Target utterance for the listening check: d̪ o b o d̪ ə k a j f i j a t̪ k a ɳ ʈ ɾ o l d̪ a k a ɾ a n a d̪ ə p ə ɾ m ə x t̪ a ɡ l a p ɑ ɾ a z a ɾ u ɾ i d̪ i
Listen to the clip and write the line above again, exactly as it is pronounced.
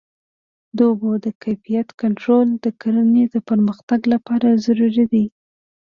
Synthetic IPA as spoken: d̪ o b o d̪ ə k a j f i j a t̪ k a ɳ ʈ ɾ o l d̪ ə k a ɾ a n e d̪ ə p ə ɾ m ə x t̪ a ɡ l a p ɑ ɾ a z a ɾ u ɾ i d̪ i